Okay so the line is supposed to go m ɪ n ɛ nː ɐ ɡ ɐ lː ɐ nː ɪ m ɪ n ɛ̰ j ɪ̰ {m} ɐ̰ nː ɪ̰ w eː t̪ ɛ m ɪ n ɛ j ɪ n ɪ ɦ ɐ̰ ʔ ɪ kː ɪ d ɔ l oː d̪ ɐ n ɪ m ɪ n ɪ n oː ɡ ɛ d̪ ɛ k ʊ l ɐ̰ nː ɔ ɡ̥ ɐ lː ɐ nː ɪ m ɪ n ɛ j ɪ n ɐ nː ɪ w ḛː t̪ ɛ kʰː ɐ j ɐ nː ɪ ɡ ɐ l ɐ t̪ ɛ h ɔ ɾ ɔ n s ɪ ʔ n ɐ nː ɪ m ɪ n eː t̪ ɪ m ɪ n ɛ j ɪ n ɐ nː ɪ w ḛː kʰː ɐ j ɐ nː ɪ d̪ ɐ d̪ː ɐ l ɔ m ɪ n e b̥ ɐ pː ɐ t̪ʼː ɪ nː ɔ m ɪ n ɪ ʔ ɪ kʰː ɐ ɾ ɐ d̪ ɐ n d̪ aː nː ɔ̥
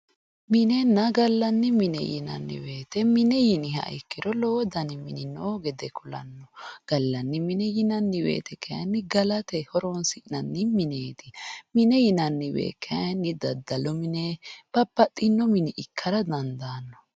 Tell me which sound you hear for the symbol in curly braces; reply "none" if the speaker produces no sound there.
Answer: n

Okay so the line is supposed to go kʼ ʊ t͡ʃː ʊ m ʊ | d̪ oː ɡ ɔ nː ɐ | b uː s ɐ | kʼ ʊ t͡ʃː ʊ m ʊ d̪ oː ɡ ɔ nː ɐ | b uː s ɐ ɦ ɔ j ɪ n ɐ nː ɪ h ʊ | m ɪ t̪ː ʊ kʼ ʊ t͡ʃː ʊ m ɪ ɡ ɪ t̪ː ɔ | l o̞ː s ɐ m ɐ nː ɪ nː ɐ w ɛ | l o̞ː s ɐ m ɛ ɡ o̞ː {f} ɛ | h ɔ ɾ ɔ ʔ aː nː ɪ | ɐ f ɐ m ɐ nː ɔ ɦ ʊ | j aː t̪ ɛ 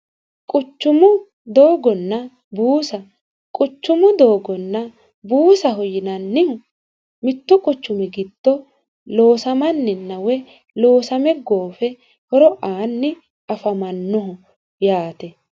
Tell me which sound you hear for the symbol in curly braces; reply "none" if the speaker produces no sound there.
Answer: f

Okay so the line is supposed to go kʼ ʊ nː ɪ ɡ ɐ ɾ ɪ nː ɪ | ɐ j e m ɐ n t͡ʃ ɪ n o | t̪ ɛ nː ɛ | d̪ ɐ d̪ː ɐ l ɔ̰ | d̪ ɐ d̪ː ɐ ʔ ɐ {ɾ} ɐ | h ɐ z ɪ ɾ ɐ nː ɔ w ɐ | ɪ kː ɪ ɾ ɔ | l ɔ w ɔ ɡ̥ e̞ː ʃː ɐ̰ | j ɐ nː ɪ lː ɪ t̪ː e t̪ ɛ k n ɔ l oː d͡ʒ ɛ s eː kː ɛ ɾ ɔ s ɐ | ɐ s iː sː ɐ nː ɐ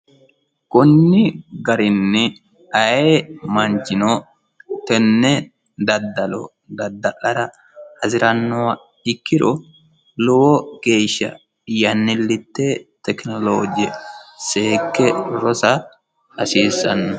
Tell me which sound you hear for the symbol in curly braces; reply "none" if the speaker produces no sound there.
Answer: ɾ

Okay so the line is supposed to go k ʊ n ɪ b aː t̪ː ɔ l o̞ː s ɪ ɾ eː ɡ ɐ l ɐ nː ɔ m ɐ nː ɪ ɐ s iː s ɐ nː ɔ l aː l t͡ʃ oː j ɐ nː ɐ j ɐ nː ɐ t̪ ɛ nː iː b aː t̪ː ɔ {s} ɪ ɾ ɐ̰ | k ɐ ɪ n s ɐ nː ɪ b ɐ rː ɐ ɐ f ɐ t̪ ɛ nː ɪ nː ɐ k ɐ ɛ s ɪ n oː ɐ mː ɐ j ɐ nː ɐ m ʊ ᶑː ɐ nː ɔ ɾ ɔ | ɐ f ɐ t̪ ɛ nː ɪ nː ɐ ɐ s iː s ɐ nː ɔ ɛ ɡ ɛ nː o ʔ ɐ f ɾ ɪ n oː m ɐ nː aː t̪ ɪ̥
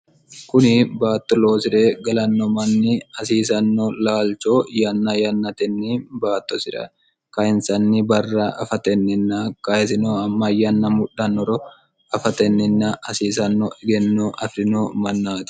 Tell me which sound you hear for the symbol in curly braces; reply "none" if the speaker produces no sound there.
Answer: s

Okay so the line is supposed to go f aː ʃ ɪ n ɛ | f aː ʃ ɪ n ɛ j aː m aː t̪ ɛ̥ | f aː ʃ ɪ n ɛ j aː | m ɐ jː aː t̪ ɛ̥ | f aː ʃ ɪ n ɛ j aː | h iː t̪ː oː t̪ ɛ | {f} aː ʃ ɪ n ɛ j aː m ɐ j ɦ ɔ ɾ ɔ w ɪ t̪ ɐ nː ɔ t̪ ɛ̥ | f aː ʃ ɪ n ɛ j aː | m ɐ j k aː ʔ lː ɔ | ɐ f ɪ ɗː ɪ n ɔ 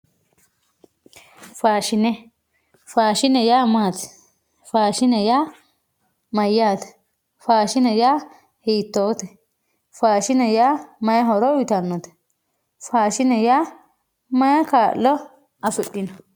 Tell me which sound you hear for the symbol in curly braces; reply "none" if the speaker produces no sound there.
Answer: f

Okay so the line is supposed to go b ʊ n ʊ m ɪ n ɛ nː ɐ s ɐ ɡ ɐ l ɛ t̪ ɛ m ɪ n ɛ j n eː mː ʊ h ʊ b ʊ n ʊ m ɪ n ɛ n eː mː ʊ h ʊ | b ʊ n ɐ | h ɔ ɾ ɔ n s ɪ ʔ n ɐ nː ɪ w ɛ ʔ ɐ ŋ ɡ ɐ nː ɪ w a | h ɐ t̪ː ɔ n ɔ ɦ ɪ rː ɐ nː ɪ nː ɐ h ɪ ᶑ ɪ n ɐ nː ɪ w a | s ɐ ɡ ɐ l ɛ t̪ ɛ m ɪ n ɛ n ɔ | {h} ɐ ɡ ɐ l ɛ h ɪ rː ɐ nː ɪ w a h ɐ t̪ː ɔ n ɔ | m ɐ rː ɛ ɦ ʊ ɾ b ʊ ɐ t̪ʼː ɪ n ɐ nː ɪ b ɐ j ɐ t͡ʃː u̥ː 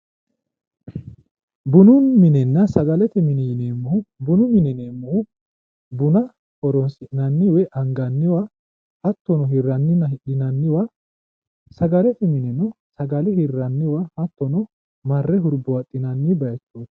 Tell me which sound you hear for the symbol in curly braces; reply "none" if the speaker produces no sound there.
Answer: s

